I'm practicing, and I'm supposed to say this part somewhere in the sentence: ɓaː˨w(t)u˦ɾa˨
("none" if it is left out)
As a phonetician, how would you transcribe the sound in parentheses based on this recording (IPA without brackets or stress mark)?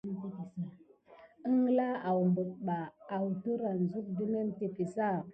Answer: t